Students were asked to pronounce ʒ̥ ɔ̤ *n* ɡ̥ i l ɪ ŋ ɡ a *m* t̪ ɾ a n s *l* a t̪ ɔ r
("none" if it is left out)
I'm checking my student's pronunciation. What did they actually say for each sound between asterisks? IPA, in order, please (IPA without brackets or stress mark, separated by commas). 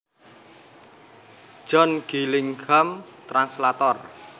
n, m, l